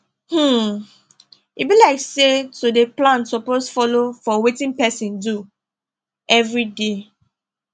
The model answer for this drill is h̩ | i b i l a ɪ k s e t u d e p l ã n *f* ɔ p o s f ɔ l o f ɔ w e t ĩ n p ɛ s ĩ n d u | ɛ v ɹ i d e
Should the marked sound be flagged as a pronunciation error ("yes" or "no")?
yes